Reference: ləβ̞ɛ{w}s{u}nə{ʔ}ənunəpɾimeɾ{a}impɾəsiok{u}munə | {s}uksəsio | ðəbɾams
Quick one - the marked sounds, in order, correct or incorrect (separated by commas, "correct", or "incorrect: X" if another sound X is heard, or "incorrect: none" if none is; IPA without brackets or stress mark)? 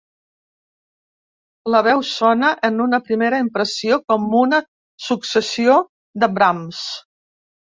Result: correct, incorrect: ɔ, correct, incorrect: ə, incorrect: ɔ, correct